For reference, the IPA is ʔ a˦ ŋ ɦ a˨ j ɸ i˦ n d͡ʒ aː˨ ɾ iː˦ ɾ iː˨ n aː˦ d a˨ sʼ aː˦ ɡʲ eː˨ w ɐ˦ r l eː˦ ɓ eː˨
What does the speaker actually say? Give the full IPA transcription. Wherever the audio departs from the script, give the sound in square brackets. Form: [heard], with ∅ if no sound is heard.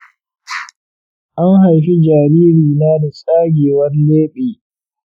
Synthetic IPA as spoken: ʔ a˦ ŋ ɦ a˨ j ɸ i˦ [∅] d͡ʒ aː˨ ɾ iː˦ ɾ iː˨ n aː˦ d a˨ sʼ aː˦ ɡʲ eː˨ w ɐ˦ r l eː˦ ɓ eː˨